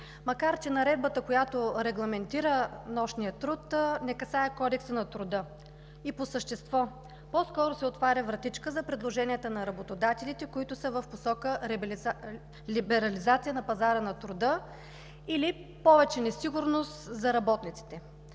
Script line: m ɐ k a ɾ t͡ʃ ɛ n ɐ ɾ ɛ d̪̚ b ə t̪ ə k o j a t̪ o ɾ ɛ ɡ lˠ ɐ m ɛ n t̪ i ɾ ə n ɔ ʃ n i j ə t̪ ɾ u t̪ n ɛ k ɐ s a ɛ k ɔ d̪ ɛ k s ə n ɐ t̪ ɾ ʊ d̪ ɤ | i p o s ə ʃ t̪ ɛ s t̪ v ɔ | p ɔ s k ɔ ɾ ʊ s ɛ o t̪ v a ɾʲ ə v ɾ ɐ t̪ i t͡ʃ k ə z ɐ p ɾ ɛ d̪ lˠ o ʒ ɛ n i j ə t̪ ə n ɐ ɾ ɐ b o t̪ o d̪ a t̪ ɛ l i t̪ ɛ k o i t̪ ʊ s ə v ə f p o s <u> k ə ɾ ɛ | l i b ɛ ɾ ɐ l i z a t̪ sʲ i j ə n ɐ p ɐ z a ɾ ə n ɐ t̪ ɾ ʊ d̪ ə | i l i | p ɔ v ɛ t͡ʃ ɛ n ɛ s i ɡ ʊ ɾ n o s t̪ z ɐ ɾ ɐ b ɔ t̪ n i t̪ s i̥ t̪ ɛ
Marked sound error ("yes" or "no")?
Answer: yes